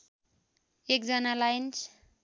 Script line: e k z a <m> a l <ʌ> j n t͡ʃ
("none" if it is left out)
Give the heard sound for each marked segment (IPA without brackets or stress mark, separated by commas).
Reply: n, a